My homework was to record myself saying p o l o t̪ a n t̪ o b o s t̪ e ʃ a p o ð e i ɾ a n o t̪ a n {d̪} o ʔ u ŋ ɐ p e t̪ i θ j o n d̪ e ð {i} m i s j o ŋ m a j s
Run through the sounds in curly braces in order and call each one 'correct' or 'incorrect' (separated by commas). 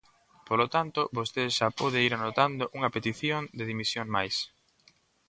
correct, correct